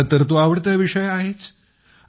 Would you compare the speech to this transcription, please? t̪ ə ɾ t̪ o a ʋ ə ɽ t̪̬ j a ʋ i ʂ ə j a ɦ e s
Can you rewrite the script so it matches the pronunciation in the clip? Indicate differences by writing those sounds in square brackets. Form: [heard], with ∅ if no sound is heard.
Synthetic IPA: t̪ ə ɾ t̪ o a ʋ ə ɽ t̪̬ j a ʋ i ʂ ə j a ɦ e [t͡s]